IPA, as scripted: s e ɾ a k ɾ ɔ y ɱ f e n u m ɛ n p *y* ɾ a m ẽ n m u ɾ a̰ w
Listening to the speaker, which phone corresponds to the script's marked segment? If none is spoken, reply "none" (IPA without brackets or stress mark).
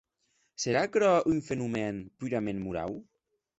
y